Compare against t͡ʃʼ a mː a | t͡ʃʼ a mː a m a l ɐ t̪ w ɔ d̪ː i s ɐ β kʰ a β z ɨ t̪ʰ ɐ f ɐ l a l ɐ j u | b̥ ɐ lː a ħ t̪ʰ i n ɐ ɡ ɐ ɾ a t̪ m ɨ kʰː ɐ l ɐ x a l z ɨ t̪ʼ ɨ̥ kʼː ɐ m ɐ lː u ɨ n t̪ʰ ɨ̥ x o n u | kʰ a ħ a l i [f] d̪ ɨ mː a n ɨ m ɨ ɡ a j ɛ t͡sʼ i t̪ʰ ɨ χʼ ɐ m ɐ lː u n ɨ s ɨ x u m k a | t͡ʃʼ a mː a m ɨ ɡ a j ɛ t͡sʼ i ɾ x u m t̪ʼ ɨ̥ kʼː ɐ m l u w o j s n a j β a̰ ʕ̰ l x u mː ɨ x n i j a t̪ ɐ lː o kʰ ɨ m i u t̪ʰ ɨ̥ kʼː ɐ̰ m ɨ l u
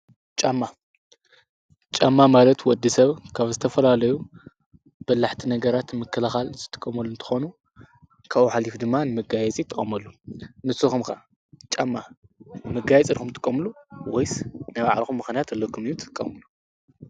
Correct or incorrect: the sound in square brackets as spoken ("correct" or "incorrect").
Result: correct